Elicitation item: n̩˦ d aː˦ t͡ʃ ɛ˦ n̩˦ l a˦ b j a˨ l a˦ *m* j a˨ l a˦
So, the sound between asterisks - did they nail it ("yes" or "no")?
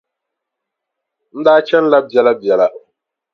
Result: no